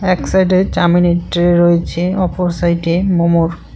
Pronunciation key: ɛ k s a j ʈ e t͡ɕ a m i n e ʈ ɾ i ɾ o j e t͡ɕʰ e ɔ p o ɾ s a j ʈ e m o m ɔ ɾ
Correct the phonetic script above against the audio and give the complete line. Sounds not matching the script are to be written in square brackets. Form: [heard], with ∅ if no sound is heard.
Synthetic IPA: ɛ k s a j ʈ e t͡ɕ a m i n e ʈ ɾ [e] ɾ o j e t͡ɕʰ e ɔ p o ɾ s a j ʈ e m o m [o] ɾ